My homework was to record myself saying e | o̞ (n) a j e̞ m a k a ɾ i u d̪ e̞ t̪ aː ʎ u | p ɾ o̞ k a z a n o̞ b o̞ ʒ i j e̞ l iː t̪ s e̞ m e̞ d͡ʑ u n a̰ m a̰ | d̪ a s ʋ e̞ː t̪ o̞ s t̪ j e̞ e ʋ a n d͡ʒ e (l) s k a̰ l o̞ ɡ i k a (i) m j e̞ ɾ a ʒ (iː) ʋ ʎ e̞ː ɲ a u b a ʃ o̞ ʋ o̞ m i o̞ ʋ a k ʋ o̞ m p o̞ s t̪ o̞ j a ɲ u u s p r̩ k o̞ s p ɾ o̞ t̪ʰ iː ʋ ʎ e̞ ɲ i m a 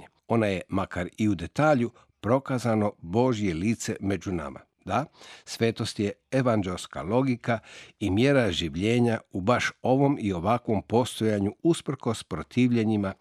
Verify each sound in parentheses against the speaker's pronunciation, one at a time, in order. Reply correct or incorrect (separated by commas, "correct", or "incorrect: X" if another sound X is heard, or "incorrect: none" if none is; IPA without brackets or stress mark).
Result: correct, correct, correct, incorrect: i